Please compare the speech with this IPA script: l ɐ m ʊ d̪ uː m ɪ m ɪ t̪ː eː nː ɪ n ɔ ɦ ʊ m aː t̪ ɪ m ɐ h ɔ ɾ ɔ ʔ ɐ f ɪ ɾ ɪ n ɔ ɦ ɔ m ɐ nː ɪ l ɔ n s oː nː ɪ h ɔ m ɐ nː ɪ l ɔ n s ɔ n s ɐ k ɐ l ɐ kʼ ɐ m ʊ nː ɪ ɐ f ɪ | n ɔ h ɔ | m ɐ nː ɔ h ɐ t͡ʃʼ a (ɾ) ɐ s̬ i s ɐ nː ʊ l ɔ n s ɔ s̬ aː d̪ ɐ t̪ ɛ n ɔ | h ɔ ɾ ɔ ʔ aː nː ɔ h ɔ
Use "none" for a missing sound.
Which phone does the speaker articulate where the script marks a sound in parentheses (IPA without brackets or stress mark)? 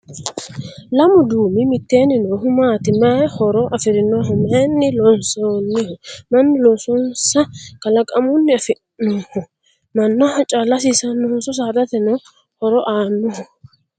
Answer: l